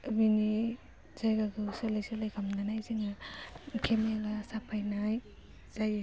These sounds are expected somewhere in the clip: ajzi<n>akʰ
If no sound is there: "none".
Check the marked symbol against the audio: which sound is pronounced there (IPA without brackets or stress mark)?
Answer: ŋ